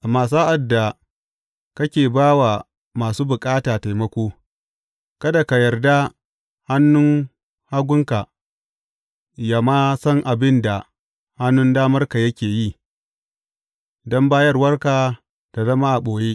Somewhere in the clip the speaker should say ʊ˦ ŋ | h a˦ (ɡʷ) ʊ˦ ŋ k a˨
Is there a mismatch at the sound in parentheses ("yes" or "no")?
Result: no